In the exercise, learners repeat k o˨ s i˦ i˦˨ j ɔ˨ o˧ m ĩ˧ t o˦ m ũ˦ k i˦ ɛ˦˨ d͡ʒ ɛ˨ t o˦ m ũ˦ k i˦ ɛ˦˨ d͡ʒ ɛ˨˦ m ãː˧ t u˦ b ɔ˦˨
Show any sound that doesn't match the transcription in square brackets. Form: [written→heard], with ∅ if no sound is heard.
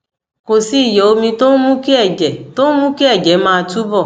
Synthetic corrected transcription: k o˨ s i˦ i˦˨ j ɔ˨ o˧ m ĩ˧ t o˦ m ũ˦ k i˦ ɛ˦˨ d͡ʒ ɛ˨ t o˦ m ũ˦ k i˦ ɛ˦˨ d͡ʒ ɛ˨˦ m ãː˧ t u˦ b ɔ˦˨